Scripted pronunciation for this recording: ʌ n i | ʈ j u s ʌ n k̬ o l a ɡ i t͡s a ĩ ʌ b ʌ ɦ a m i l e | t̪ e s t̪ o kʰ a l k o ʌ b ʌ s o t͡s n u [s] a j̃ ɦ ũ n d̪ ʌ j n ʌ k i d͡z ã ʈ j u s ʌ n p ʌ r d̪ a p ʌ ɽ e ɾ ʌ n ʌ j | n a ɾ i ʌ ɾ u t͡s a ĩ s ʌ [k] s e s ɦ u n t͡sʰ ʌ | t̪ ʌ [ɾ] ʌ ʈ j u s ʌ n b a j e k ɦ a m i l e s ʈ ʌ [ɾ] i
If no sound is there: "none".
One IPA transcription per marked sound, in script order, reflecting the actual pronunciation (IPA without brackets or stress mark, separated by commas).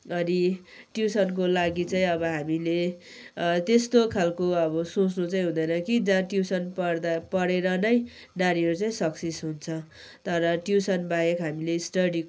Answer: t͡s, k, ɾ, ɽ